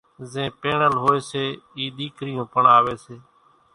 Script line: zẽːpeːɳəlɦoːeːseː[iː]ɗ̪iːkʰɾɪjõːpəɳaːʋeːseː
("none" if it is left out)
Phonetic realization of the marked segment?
iː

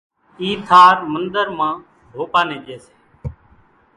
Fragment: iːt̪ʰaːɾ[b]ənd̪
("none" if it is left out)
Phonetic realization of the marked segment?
m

